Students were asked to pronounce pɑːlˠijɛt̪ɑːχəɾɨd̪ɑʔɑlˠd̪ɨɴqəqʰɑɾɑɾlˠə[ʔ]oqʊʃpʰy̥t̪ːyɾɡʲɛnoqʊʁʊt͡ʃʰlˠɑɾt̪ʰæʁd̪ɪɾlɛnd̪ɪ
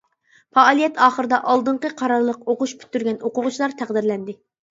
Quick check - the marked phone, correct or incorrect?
incorrect